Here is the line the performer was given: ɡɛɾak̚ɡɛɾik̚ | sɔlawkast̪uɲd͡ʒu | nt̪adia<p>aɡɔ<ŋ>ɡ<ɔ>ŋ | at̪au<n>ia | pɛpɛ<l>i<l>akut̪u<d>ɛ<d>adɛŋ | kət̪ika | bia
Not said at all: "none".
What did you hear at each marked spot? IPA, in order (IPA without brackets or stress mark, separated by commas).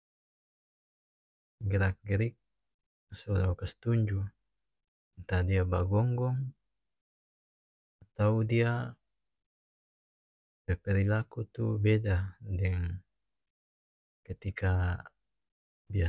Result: b, ŋ, ɔ, d, ɾ, l, b, d